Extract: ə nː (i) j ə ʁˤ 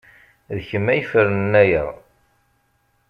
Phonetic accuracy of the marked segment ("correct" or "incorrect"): incorrect